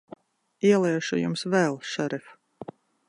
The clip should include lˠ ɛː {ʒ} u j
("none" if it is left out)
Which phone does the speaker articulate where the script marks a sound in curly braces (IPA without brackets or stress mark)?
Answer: ʃ